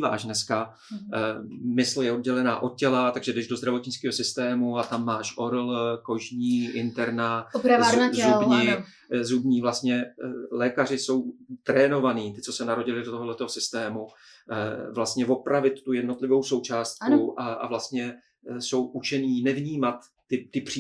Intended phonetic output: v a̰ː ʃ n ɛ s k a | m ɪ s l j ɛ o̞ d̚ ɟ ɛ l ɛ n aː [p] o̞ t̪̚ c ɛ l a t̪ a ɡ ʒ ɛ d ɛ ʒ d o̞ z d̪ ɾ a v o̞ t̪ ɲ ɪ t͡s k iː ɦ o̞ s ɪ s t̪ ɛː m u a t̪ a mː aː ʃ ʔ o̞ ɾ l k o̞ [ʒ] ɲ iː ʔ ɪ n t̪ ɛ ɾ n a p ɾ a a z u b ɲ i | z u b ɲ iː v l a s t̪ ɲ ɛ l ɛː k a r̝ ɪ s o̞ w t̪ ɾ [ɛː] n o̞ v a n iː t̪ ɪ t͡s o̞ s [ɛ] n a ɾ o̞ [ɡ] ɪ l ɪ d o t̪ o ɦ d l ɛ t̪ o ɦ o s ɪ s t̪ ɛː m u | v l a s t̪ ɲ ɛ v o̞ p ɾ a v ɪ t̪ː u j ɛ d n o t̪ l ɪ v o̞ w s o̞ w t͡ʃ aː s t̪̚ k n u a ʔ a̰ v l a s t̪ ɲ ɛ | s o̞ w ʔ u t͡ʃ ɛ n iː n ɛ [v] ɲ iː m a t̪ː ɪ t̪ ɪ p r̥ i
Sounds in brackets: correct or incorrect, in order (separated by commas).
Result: incorrect, correct, correct, correct, incorrect, correct